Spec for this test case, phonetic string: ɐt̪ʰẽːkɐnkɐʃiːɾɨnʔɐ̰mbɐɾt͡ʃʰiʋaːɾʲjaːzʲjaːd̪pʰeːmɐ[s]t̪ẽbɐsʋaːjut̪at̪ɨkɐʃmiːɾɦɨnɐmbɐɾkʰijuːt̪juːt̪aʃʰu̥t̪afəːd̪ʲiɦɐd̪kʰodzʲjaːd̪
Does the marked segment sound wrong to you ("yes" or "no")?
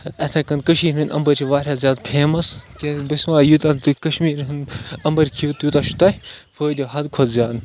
no